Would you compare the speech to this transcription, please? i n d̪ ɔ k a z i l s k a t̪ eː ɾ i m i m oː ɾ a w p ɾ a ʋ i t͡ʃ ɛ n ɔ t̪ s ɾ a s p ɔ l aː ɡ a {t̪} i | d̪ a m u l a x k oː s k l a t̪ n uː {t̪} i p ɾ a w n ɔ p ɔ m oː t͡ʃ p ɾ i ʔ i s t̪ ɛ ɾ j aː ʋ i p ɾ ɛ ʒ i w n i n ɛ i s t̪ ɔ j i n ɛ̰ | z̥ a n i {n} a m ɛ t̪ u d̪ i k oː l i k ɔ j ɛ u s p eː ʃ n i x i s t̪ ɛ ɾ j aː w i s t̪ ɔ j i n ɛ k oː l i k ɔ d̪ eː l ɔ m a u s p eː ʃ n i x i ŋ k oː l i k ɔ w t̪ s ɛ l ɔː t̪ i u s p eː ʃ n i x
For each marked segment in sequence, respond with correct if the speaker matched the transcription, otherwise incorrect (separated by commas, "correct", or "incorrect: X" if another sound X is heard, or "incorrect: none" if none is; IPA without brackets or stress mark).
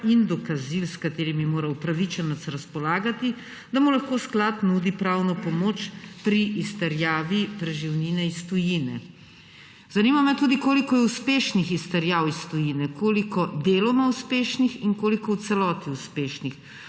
correct, incorrect: d̪, incorrect: m